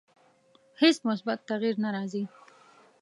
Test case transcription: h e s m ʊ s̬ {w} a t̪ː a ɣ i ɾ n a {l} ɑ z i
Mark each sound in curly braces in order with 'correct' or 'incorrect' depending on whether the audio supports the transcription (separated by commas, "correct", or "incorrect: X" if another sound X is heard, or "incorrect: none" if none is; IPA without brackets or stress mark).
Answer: incorrect: b, incorrect: ɾ